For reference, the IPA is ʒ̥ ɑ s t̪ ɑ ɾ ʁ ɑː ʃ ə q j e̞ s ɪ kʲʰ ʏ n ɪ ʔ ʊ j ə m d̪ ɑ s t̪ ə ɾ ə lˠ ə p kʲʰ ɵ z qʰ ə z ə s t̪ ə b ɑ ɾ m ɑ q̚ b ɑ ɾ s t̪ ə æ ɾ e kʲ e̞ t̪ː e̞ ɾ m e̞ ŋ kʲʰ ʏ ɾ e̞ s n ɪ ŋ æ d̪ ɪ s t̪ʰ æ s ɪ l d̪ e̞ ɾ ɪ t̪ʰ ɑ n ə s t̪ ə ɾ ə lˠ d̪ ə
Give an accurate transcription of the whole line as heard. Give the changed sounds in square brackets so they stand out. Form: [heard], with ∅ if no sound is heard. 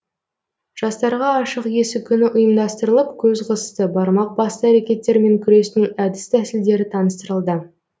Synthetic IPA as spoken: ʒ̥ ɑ s t̪ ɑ ɾ ʁ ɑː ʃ ə q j e̞ s ɪ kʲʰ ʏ n ɪ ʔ ʊ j ə m d̪ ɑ s t̪ ə ɾ ə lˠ ə p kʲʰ ɵ z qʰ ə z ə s t̪ ə b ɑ ɾ m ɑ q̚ b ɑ [∅] s t̪ ə æ ɾ e kʲ e̞ t̪ː e̞ ɾ m e̞ ŋ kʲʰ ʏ ɾ e̞ s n ɪ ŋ æ d̪ ɪ s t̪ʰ æ s ɪ l d̪ e̞ ɾ ɪ t̪ʰ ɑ n ə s t̪ ə ɾ ə lˠ d̪ ə